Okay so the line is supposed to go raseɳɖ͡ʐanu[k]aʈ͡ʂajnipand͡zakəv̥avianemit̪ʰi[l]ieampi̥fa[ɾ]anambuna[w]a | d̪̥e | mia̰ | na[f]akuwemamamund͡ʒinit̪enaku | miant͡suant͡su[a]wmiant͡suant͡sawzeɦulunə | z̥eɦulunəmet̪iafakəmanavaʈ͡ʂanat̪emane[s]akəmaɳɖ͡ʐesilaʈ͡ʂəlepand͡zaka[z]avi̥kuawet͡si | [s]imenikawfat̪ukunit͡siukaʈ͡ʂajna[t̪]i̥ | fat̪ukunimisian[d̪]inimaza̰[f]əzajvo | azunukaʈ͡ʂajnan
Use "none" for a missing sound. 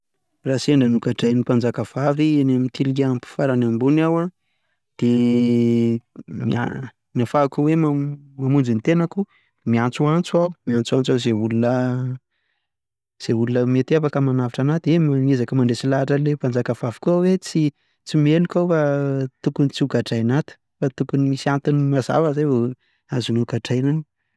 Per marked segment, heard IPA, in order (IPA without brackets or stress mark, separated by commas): k, l, ɾ, w, f, a, z, v, t͡s, t̪, t̪, v